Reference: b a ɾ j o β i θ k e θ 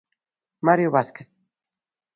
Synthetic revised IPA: m a ɾ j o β a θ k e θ